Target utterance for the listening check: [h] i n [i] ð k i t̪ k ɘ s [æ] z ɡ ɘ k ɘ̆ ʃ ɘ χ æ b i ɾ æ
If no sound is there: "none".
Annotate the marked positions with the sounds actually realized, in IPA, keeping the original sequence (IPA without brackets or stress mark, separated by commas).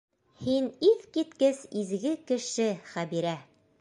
h, i, i